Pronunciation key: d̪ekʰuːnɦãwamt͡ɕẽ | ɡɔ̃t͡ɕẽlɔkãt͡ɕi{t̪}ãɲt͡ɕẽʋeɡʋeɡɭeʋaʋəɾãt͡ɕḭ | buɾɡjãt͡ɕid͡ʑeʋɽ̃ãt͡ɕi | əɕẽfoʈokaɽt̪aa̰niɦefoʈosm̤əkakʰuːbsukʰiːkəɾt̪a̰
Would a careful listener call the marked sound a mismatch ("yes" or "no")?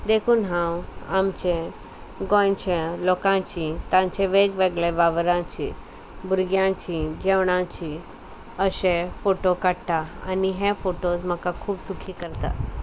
no